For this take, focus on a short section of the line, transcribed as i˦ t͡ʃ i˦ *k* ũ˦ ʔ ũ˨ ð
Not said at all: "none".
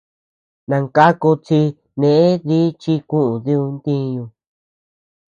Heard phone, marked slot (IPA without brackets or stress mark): k